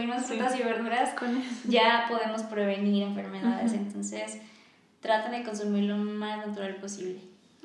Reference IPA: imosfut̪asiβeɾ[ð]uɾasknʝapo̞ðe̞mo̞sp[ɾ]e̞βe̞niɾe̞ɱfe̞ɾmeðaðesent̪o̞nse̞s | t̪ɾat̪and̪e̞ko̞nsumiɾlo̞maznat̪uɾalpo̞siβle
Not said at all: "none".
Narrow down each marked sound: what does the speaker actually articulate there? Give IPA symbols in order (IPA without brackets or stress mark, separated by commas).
ð, ɾ